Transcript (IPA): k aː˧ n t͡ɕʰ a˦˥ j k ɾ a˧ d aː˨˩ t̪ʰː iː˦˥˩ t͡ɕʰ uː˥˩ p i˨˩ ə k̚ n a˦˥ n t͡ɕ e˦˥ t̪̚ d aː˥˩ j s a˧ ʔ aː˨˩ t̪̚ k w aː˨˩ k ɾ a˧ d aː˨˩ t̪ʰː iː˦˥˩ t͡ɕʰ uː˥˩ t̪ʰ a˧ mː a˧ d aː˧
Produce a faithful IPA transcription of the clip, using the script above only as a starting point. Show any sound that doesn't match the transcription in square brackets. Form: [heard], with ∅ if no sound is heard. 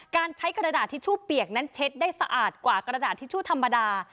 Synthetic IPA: k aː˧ n t͡ɕʰ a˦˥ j k ɾ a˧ d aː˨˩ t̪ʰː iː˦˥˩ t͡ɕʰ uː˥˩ p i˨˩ ə k̚ n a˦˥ n [t͡ɕʰ] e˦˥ t̪̚ d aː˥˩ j s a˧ ʔ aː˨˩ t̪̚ k w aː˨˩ k ɾ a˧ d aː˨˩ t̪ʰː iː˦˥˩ t͡ɕʰ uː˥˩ t̪ʰ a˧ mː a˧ d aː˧